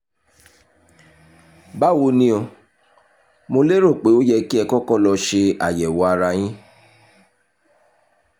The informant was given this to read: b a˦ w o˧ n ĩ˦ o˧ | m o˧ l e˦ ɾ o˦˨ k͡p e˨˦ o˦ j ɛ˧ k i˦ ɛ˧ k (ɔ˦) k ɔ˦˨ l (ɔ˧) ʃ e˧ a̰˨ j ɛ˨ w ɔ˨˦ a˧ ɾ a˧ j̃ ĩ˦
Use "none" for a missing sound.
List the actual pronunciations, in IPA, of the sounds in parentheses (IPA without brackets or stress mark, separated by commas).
ɔ˦, ɔ˧